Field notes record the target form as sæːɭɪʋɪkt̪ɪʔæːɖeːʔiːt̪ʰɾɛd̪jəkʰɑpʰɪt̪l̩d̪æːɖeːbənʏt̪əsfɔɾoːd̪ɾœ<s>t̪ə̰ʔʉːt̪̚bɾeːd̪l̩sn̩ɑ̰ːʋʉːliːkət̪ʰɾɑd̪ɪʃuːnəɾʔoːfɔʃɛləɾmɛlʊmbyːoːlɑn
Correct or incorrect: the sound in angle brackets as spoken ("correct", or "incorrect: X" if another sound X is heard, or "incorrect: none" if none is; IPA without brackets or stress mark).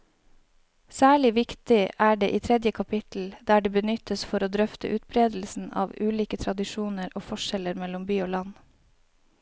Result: incorrect: f